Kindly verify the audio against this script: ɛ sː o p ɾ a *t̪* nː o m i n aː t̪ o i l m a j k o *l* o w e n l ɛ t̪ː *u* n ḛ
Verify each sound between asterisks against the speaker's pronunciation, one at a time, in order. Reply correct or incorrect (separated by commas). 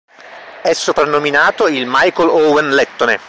incorrect, correct, incorrect